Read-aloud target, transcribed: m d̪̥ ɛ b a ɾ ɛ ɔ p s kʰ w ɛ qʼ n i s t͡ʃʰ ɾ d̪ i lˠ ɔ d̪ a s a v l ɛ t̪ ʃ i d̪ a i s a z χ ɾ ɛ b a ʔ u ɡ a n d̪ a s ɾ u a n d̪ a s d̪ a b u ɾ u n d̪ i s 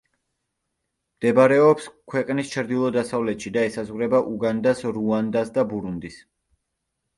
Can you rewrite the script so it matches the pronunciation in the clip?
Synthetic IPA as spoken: m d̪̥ ɛ b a ɾ ɛ ɔ p s kʰ w ɛ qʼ n i s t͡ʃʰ ɾ d̪ i lˠ ɔ d̪ a s a v l ɛ t̪ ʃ i d̪ a ɛ s a z ʁ ɾ ɛ b a ʔ u ɡ a n d̪ a s ɾ u a n d̪ a s d̪ a b u ɾ u n d̪ i s

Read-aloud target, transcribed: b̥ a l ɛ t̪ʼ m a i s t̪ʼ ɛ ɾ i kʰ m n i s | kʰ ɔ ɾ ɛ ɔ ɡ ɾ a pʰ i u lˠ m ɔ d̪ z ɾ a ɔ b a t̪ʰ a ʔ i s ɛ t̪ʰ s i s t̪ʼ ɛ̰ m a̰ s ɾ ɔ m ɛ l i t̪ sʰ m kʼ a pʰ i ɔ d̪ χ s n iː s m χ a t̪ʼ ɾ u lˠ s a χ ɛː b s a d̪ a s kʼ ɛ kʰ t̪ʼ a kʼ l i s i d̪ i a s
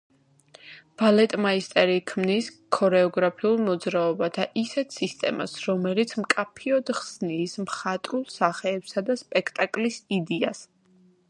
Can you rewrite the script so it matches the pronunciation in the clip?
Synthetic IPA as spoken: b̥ a l ɛ t̪ʼ m a i s t̪ʼ ɛ ɾ i kʰ m n i s | kʰ ɔ ɾ ɛ ɔ ɡ ɾ a pʰ i u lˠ m ɔ d̪ z ɾ a ɔ b a t̪ʰ a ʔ i s ɛ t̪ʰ s i s t̪ʼ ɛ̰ m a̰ s ɾ ɔ m ɛ l i t̪ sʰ m kʼ a pʰ i ɔ d̪ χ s n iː s m χ a t̪ʼ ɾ u lˠ s a χ ɛː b s a d̪ a s pʼ ɛ kʰ t̪ʼ a kʼ l i s i d̪ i a s

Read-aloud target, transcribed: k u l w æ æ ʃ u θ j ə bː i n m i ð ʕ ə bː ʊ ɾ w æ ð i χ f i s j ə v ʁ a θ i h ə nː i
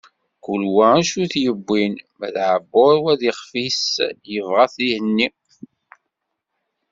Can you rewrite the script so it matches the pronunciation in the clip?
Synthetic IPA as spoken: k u l w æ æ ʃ u θ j ə bː i n m æ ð ʕ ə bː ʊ ɾ w æ ð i χ f i s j ə v ʁ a θ i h ə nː i

